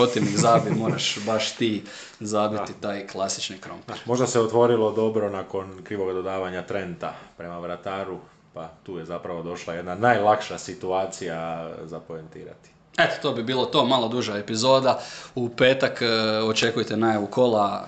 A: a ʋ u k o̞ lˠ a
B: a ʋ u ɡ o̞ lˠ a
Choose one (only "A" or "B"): A